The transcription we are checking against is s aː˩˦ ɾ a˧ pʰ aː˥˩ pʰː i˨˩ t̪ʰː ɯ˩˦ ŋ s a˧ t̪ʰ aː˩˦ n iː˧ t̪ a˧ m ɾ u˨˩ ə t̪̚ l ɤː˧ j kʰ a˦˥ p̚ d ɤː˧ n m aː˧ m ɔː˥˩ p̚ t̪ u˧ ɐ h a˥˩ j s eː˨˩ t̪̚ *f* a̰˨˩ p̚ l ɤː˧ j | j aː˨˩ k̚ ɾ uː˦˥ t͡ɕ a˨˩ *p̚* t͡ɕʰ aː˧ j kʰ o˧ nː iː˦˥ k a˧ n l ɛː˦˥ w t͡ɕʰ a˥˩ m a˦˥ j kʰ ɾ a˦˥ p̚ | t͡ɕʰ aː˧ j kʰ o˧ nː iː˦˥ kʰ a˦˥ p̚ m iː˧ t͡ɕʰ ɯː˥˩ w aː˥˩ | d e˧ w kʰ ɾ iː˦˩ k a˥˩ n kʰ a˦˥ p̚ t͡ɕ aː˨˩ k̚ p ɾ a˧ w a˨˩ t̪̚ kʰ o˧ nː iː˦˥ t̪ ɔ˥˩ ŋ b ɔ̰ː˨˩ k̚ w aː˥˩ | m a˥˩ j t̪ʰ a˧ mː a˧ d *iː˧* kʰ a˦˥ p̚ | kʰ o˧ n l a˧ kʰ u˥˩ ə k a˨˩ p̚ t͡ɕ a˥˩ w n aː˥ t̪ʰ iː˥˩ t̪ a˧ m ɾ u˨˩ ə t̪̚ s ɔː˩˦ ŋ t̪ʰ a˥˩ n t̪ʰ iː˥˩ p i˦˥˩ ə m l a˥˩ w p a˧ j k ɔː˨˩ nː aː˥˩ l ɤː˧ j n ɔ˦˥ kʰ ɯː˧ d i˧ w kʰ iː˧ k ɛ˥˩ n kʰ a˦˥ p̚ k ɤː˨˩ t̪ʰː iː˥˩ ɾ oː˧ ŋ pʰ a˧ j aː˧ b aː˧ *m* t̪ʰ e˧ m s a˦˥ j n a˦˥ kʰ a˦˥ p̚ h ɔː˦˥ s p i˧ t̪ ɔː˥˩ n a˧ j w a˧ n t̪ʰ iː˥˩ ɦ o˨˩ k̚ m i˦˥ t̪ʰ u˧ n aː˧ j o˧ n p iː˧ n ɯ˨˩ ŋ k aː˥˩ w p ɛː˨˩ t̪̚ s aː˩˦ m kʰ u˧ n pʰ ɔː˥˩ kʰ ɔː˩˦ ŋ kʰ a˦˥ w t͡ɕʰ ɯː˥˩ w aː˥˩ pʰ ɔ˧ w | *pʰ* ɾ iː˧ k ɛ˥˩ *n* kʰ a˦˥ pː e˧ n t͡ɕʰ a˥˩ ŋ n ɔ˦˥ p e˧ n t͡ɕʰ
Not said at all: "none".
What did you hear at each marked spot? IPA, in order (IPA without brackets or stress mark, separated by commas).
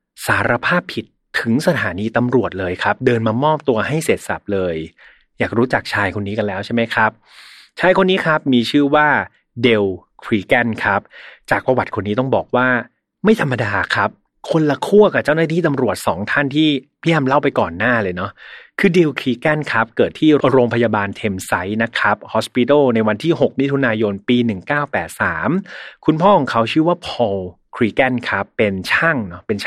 s, k̚, aː˧, n, kʰ, n